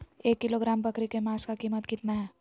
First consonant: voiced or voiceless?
voiceless